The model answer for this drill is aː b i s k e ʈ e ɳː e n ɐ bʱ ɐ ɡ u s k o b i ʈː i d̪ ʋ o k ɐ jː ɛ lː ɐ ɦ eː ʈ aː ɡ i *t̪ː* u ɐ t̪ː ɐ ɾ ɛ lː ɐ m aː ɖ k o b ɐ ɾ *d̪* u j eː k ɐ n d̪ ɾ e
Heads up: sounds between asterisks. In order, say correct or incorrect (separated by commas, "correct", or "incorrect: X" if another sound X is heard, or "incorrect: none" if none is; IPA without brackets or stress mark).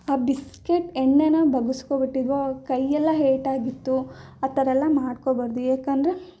correct, correct